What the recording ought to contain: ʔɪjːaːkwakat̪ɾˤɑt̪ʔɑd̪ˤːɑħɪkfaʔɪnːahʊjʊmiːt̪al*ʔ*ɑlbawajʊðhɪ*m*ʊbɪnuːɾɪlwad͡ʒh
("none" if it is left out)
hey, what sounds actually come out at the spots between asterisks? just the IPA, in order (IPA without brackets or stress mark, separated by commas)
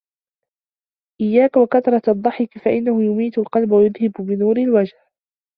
q, b